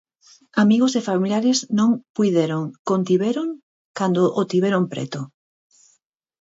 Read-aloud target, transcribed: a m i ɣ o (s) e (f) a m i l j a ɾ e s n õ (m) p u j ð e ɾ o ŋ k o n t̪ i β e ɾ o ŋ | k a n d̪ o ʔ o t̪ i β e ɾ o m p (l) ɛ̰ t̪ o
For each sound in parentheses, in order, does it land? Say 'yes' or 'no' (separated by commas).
yes, yes, no, no